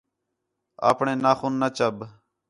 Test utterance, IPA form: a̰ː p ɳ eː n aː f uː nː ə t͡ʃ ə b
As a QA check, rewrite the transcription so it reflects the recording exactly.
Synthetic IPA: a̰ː p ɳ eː n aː x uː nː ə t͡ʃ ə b